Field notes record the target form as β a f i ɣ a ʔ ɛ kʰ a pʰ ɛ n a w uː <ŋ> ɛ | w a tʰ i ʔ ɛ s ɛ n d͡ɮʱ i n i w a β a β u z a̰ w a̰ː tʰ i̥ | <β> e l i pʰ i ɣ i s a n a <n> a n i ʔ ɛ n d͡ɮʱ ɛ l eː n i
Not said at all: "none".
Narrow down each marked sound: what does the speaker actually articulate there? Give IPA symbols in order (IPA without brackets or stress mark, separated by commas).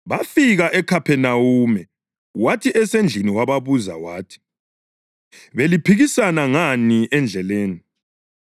m, β, ŋ